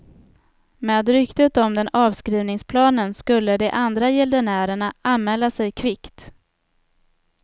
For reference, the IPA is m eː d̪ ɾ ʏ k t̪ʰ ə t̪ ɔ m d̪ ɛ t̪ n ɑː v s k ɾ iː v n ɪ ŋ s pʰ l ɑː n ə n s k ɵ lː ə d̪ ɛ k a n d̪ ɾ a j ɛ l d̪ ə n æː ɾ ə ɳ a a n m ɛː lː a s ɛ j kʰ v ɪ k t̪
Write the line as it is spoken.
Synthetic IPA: m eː d̪ ɾ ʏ k t̪ ə t̪ ɔ m d̪ ɛ n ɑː v s k ɾ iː v n ɪ ŋ s pʰ l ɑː n ə n s k ɵ lː ə d̪ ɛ ʔ a n d̪ ɾ a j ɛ l d̪ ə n æː ɾ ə ɳ a a n m ɛː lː a s ɛ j kʰ v ɪ k t̪